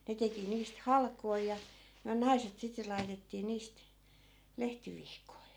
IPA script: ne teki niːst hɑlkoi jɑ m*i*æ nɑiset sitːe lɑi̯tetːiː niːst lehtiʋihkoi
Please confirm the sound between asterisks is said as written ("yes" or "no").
no